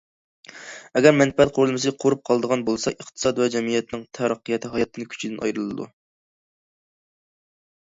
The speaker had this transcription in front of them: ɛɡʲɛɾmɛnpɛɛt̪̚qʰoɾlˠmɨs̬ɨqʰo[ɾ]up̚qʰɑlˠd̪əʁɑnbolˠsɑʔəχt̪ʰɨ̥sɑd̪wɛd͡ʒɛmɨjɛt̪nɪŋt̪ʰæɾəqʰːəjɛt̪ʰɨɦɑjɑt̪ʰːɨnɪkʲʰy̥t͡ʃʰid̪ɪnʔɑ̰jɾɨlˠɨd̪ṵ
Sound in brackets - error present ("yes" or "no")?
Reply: no